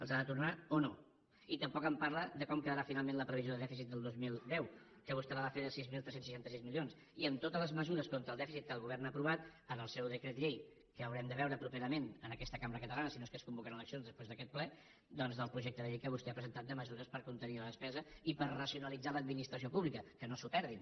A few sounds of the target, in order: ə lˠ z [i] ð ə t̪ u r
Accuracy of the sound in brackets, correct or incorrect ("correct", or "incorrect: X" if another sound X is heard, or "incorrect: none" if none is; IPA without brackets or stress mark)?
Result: incorrect: a